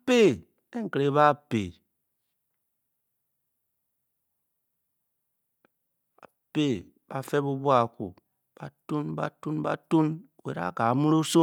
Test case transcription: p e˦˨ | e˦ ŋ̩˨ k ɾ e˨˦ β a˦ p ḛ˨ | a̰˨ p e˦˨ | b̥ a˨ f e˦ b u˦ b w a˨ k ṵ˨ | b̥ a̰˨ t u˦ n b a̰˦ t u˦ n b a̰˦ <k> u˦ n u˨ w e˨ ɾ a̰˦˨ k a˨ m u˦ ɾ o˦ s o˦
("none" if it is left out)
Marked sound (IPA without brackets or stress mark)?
t